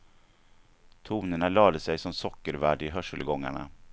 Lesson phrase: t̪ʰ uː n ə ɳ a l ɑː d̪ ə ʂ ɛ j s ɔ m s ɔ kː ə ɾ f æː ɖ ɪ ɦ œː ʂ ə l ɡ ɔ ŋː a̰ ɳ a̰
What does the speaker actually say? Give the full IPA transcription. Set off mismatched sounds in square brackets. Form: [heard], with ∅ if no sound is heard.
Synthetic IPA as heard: t̪ʰ uː n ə ɳ a l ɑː d̪ ə [s] ɛ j s ɔ m s ɔ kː ə ɾ [v] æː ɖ ɪ ɦ [œ] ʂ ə l ɡ ɔ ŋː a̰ ɳ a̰